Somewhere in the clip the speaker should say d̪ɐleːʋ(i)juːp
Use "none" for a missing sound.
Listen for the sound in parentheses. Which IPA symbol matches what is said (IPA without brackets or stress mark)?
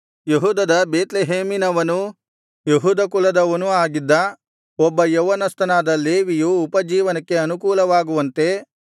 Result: i